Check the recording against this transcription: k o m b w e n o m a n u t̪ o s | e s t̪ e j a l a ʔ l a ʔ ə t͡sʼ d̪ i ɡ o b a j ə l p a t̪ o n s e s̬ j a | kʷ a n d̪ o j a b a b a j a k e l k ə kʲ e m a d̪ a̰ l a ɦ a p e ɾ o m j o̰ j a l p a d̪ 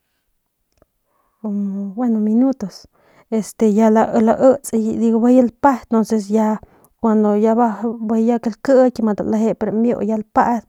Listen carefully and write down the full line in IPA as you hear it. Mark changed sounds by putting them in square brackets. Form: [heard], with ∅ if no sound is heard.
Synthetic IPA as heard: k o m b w e n o m [i] n u t̪ o s | e s t̪ e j a l a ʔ l a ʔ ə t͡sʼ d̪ i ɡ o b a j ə l p a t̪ o n s e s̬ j a | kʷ a n d̪ o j a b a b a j a k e l k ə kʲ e m a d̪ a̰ l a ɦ [e] p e ɾ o m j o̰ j a l p a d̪